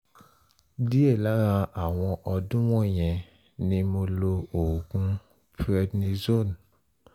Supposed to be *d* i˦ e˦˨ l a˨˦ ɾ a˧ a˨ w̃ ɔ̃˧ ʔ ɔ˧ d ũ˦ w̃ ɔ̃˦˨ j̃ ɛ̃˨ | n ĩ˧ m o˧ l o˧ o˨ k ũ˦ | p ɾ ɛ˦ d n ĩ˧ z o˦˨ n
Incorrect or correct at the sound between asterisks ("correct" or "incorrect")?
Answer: correct